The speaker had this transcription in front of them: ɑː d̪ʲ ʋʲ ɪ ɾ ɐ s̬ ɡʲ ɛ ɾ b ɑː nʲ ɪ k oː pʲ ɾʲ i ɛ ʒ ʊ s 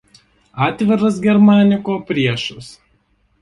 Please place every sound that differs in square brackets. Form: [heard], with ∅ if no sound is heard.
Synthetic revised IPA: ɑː [t̪ʲ] ʋʲ ɪ ɾ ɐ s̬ ɡʲ ɛ ɾ [m] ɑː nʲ ɪ k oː pʲ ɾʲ i ɛ [ʃ] ʊ s